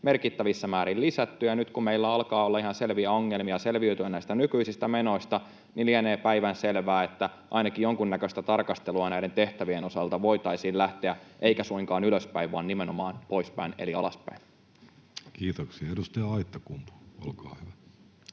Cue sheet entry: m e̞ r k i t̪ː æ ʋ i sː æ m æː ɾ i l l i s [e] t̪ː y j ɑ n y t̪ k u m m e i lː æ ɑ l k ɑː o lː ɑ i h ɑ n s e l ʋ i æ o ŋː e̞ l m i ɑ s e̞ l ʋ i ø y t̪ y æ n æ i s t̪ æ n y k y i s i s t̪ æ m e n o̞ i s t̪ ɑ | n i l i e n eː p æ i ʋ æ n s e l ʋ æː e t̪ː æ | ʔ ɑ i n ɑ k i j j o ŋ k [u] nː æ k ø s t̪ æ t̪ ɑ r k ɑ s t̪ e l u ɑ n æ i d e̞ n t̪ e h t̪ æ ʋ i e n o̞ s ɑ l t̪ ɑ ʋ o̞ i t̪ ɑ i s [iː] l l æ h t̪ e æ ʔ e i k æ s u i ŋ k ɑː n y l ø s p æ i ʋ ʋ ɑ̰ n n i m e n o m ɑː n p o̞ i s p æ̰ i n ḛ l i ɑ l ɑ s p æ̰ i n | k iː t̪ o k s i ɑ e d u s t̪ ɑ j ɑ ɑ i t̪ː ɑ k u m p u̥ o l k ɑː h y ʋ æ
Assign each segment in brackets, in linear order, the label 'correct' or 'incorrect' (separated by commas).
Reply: incorrect, correct, correct